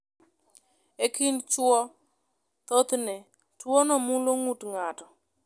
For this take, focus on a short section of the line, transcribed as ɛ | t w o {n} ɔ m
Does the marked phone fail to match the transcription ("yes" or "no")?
no